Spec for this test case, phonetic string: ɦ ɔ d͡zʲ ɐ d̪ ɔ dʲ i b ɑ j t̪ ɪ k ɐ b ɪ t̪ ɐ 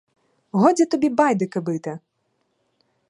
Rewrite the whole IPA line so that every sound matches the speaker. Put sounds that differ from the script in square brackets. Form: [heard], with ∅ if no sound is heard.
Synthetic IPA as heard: ɦ ɔ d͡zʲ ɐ [t̪] ɔ [bʲ] i b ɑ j [d̪] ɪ k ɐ b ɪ t̪ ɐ

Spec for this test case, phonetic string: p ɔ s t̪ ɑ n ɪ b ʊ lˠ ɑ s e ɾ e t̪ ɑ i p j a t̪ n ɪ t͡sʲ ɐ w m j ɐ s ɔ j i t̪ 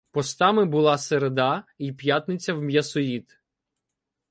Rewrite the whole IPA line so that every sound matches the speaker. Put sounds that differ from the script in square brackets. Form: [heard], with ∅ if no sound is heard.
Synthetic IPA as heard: p ɔ s t̪ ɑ [m] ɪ b ʊ lˠ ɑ s e ɾ e [d̪] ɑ i p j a t̪ n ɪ t͡sʲ ɐ w m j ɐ s ɔ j i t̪

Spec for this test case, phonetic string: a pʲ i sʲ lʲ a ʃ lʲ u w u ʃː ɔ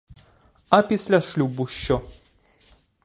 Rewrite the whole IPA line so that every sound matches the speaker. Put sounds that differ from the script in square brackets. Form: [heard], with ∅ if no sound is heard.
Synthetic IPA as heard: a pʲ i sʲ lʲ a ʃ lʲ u [b] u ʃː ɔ

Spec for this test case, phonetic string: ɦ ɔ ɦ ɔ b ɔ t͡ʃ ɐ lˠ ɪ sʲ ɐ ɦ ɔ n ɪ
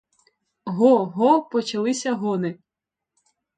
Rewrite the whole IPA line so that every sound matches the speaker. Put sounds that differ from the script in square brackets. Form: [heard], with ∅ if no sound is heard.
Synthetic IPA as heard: ɦ ɔ ɦ ɔ [p] ɔ t͡ʃ ɐ lˠ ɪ sʲ ɐ ɦ ɔ n ɪ

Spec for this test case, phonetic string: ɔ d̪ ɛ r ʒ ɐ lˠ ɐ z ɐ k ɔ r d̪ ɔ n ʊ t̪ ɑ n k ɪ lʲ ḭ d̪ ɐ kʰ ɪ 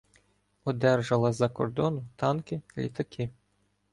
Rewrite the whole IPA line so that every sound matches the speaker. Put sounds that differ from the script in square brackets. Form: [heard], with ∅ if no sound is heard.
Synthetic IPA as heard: ɔ d̪ ɛ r ʒ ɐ lˠ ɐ z ɐ k ɔ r d̪ ɔ n ʊ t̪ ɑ n k ɪ lʲ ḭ [t̪] ɐ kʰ ɪ

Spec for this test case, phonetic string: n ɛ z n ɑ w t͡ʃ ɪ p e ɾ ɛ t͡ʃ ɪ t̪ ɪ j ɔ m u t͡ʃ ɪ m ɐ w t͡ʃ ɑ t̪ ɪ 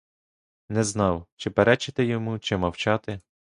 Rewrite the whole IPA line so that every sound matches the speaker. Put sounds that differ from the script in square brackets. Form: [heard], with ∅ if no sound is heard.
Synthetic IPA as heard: n ɛ z n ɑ w t͡ʃ ɪ p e ɾ ɛ t͡ʃ ɪ t̪ ɪ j ɔ m u t͡ʃ ɪ m ɐ w t͡ʃ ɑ t̪ ɪ

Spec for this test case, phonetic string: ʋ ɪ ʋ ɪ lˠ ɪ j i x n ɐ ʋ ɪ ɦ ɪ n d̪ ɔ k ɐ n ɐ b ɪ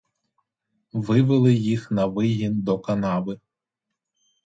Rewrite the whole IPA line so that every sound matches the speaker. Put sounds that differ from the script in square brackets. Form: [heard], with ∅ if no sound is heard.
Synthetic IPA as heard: ʋ ɪ ʋ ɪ lˠ ɪ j i x n ɐ ʋ ɪ ɦ [i] n d̪ ɔ k ɐ n [ɑ] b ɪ

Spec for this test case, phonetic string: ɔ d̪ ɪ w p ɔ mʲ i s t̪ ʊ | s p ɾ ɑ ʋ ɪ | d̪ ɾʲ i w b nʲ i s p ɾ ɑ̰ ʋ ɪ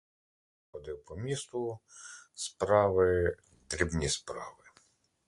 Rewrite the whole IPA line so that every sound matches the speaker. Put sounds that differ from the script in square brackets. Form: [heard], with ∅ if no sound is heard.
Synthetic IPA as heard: ɔ d̪ ɪ w p ɔ mʲ i s t̪ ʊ | s p ɾ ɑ ʋ ɪ | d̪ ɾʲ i [∅] b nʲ i s p ɾ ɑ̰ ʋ ɪ

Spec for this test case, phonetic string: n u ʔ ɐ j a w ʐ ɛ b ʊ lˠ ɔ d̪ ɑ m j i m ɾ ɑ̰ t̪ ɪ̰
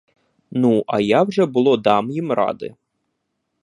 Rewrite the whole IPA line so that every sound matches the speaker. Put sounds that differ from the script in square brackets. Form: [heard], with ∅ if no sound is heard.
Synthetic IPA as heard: n u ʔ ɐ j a w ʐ ɛ b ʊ lˠ ɔ d̪ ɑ m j i m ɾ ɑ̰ [d̪] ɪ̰

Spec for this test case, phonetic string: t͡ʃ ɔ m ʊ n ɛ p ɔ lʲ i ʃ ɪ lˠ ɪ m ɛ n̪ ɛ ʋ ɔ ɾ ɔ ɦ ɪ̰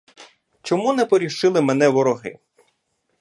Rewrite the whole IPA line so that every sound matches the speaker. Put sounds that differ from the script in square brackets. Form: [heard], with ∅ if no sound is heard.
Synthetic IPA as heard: t͡ʃ ɔ m [u] n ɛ p ɔ [ɾʲ] i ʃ ɪ lˠ ɪ m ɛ n̪ ɛ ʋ ɔ ɾ ɔ ɦ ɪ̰

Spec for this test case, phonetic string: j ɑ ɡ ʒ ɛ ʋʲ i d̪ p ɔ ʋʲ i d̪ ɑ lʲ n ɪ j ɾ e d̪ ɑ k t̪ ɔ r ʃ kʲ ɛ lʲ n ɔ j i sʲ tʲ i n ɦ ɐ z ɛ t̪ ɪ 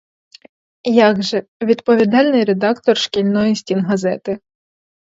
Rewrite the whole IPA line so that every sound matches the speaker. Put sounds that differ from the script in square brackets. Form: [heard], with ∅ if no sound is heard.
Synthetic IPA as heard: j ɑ ɡ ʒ ɛ ʋʲ i d̪ p ɔ ʋʲ i d̪ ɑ lʲ n ɪ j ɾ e d̪ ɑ k t̪ ɔ r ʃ kʲ [i] lʲ n ɔ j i sʲ tʲ i n ɦ ɐ z ɛ t̪ ɪ

